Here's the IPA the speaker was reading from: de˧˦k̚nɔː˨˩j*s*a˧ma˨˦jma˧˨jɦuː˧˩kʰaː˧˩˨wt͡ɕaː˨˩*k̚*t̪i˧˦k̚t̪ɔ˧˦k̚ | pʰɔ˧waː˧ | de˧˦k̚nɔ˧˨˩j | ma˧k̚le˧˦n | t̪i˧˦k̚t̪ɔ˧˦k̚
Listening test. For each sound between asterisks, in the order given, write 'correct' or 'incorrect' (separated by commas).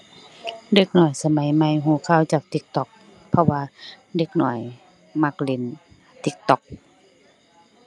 correct, correct